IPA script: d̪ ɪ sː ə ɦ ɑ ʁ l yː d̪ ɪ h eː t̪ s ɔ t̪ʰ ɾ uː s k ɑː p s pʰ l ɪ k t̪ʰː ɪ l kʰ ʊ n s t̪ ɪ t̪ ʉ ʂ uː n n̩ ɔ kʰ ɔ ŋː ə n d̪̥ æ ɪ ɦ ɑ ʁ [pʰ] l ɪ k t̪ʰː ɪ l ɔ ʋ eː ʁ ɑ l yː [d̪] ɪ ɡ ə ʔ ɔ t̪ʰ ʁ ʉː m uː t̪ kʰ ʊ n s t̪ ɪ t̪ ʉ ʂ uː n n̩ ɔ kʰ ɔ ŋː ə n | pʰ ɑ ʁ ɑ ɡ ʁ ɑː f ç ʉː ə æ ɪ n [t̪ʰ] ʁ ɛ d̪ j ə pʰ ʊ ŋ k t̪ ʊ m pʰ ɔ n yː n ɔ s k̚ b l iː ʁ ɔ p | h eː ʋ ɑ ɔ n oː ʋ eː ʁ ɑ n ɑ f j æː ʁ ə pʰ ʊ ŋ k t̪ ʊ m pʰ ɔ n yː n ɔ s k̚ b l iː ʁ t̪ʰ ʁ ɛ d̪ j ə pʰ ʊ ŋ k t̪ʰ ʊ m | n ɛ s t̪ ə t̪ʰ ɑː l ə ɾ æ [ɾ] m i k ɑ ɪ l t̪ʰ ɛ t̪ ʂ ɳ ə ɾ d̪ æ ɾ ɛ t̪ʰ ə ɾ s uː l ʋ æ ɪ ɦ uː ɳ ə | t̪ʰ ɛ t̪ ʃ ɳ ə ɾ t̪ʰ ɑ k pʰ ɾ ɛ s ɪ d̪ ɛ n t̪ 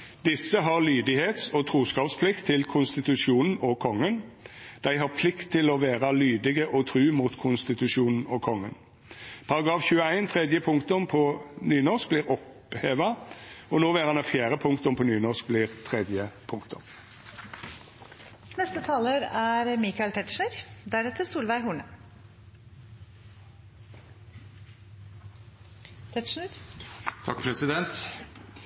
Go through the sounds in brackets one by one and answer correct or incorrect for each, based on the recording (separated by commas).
correct, correct, correct, correct